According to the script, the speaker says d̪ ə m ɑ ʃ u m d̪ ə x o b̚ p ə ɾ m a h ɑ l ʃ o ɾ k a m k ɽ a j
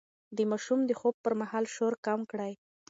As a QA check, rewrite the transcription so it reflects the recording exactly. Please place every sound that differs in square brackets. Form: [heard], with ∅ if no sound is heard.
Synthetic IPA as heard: d̪ ə m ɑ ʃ u m d̪ ə x o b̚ p ə ɾ m a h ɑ l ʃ o ɾ k a m k ɽ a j

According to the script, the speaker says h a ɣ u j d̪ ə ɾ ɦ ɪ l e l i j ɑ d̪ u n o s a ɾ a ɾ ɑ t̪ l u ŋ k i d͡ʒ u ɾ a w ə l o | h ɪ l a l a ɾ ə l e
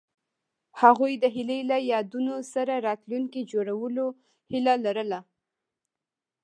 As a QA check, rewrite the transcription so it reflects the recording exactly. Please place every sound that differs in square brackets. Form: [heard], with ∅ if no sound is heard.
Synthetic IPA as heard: h a ɣ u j d̪ ə [∅] ɦ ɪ l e l [a] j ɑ d̪ u n o s a ɾ a ɾ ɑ t̪ l u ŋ k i d͡ʒ [o] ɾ a w ə l o | h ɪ l a l a ɾ ə l [a]

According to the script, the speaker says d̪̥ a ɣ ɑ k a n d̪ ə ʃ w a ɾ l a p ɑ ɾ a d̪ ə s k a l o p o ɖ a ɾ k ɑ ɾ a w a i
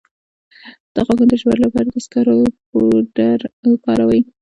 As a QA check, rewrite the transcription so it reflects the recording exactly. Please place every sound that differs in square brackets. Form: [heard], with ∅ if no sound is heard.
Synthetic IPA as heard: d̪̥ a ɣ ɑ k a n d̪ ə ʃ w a ɾ l a p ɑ ɾ a d̪ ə s k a [ɾ] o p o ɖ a ɾ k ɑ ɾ a w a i

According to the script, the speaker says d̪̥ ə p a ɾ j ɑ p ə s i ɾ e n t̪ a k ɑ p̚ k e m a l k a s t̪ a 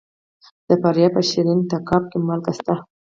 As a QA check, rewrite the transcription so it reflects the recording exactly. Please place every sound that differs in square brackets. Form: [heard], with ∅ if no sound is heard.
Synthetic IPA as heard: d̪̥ ə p a ɾ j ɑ p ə [ʃ] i ɾ [i] n t̪ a k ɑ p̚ k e m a l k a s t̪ a

